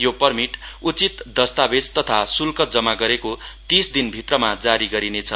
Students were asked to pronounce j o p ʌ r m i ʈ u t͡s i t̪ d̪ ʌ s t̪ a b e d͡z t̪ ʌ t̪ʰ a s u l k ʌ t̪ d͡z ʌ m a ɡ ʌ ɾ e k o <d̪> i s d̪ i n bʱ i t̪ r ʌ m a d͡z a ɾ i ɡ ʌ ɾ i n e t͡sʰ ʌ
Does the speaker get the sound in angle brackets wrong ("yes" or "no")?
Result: yes